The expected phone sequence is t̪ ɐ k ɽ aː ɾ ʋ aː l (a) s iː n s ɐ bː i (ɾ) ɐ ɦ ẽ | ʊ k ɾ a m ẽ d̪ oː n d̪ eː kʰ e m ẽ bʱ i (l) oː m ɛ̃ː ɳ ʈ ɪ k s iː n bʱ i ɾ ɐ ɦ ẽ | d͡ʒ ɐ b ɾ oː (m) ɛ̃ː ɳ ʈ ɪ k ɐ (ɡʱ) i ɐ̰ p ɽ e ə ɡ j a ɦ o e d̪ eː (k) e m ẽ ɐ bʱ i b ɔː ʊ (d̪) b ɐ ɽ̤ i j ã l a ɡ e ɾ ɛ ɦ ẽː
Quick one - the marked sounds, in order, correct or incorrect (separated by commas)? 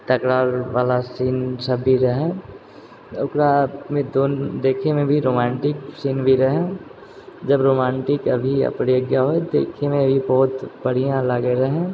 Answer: correct, correct, incorrect, correct, incorrect, incorrect, incorrect